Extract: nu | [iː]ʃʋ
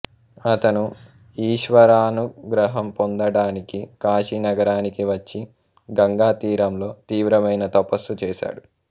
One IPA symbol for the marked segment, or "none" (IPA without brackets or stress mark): iː